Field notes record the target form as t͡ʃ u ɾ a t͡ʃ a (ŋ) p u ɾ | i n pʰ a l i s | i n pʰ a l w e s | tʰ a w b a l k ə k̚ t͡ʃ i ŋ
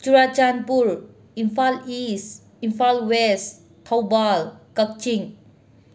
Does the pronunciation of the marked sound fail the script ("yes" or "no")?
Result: yes